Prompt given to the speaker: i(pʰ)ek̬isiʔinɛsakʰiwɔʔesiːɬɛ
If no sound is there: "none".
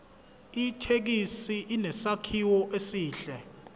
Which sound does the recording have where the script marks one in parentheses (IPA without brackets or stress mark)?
tʰ